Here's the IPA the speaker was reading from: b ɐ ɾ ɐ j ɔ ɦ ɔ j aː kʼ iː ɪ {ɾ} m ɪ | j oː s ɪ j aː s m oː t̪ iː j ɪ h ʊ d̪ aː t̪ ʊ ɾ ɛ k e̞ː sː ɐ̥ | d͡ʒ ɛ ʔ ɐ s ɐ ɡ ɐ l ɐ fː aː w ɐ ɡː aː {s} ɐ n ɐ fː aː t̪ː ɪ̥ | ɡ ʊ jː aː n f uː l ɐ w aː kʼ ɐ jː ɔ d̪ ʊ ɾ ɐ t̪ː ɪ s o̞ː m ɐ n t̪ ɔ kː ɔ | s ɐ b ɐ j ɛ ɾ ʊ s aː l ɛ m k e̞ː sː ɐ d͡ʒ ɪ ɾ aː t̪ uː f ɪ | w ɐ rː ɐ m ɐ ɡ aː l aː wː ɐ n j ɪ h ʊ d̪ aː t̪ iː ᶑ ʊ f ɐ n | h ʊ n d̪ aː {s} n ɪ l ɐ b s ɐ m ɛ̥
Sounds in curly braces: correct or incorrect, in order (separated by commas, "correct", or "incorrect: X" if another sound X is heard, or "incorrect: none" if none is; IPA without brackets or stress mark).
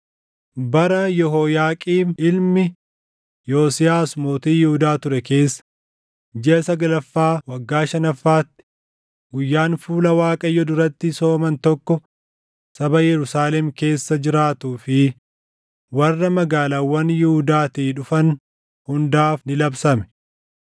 incorrect: l, incorrect: ʃ, incorrect: f